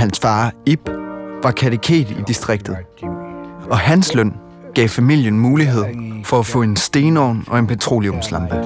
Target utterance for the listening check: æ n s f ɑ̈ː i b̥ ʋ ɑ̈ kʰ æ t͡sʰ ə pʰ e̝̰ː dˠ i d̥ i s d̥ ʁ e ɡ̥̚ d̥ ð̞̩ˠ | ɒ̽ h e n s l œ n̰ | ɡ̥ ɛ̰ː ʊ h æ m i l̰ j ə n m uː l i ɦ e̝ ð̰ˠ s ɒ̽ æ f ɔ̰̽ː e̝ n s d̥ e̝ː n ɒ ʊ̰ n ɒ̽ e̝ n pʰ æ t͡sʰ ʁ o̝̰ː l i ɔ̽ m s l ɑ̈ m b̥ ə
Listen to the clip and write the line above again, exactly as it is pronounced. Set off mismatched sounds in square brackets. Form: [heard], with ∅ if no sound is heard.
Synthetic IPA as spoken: æ n s f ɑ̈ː i b̥ ʋ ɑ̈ kʰ æ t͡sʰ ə [kʰ] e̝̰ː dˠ i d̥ i s d̥ ʁ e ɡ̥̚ d̥ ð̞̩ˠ | ɒ̽ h [æ] n s l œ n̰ | ɡ̥ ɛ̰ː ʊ [f] æ m i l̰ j ə n m uː l i ɦ e̝ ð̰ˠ [f] ɒ̽ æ f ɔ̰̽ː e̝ n s d̥ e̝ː n ɒ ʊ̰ n ɒ̽ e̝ n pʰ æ t͡sʰ ʁ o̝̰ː l i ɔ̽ m s l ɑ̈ m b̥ ə